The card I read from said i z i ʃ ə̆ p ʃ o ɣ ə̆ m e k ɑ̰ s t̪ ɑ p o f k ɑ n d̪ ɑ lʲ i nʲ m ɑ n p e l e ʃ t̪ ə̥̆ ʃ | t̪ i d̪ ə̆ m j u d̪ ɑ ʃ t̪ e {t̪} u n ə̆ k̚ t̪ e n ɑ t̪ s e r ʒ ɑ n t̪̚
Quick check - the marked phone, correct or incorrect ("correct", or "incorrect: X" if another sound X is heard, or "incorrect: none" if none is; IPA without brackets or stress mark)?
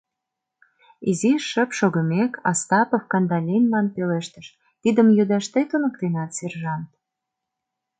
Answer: correct